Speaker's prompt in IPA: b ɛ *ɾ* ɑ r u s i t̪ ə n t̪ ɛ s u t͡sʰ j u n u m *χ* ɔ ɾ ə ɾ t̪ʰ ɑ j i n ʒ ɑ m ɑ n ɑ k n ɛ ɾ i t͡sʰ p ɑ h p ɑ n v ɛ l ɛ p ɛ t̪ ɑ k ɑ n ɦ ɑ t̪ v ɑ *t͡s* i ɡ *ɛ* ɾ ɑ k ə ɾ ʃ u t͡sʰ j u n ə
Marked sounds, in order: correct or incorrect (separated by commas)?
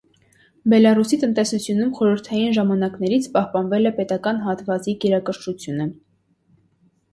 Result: incorrect, correct, correct, correct